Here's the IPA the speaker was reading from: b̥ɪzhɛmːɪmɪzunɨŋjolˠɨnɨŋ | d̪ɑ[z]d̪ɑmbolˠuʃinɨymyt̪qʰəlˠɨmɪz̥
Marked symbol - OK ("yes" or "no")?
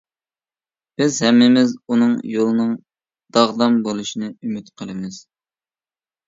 no